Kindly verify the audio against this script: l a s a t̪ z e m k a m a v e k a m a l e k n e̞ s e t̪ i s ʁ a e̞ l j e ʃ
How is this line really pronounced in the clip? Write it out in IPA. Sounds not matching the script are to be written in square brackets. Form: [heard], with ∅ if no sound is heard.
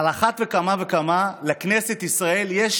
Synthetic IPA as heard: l a [χ] a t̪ [v] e [∅] k a m a v e k a m a l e k n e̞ s e t̪ i s ʁ a e̞ l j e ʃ

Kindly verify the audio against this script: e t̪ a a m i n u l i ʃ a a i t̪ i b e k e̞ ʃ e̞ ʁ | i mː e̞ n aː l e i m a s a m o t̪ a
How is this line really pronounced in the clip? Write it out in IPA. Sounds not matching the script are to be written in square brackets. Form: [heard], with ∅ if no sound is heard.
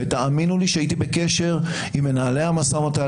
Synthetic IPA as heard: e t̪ a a m i n u l i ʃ [e] a i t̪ i b e k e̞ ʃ e̞ ʁ | i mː e̞ n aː l e [a] m a s a m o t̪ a

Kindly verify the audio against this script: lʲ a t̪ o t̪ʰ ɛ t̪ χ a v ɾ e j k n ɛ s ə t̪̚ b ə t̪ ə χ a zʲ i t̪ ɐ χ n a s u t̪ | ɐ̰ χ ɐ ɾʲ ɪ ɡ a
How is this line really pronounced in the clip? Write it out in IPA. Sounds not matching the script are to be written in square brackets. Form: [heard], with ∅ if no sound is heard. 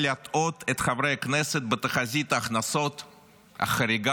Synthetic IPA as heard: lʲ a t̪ o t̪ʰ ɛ t̪ χ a v ɾ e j k n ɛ s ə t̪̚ b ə t̪ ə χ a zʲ i t̪ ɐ χ n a s [o] t̪ | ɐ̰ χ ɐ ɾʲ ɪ ɡ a

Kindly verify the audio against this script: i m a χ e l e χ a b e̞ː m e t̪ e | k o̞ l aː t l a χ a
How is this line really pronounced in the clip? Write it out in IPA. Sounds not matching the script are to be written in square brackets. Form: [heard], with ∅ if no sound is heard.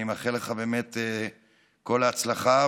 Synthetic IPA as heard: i m a χ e l e χ a b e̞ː m e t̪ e | k o̞ l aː [t͡s] l a χ a

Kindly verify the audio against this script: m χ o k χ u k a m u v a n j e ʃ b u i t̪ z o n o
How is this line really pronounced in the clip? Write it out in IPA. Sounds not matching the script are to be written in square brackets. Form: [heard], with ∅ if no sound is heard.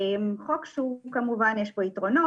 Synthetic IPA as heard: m χ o k [ʃ] u k a m u v a n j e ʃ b [o] i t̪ [ʁ] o n o

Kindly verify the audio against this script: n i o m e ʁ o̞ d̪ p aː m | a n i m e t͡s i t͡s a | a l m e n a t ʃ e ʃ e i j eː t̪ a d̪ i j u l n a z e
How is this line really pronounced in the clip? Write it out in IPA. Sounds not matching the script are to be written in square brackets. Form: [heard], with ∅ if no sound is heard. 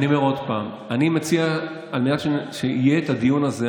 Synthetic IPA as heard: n i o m e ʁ o̞ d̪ p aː m | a n i m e t͡s i [∅] a | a l m e n a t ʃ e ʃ e i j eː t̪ a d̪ i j u [∅] n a z e

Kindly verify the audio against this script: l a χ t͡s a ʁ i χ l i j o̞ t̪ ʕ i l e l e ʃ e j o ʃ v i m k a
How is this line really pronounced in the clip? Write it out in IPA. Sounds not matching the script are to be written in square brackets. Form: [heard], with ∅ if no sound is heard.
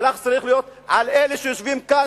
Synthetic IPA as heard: l a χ t͡s a ʁ i χ l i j o̞ t̪ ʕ [a] l e l e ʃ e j o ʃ v i m k a

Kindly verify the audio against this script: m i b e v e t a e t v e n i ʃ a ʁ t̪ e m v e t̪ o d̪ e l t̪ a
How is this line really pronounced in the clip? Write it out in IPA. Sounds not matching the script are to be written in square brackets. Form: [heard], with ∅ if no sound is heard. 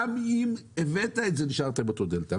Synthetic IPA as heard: m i [m] e v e t a e t [z] e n i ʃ a ʁ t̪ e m [b] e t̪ o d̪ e l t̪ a

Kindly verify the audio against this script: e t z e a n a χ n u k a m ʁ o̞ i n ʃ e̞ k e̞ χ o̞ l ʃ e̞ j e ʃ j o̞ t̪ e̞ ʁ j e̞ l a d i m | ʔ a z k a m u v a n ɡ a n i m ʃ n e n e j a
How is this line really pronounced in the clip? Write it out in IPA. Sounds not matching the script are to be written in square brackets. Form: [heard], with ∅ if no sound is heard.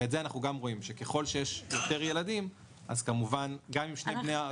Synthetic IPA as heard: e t z e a n a χ n u [ɡ] a m ʁ o̞ i [m] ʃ e̞ k e̞ χ o̞ l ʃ e̞ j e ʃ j o̞ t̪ e̞ ʁ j e̞ l a d i m | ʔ a z k a m u v a n ɡ a [m] i m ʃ n e n e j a

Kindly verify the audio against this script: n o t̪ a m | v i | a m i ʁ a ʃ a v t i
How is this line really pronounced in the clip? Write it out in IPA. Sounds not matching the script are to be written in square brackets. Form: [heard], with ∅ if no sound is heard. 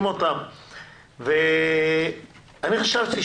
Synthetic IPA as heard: [m] o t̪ a m | v [e] | a [n] i [χ] a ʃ a v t i

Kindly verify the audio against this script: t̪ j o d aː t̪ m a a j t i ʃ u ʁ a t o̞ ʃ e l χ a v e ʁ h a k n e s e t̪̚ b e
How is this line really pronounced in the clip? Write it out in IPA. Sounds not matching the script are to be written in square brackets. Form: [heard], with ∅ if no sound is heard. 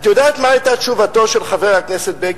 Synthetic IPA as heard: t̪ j o d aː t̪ m a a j t [a] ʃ u [v] a t o̞ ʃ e l χ a v e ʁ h a k n e s e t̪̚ b e

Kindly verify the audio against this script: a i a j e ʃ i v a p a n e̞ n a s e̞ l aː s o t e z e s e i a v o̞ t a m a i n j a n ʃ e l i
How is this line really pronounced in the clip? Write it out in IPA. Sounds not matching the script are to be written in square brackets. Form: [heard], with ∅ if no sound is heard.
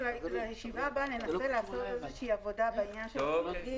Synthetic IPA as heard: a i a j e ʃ i v a [b] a n e̞ n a s e̞ l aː s o t e z e [ʃ] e i a v o̞ [d] a [b] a i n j a n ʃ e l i

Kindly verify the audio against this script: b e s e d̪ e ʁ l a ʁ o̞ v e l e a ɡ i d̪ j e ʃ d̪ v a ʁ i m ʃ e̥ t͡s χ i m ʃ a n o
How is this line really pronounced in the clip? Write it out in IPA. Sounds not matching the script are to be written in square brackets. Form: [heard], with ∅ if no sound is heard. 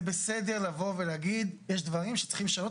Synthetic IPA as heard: b e s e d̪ e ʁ l a [v] o̞ v e l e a ɡ i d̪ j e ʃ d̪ v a ʁ i m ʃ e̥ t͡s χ i m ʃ a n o

